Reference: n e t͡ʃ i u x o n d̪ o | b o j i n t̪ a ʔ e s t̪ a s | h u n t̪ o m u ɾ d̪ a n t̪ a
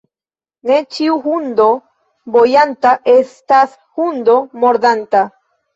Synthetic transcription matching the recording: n e t͡ʃ i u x u n d̪ o | b o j a n t̪ a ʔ e s t̪ a s | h u n d̪ o m o ɾ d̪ a n t̪ a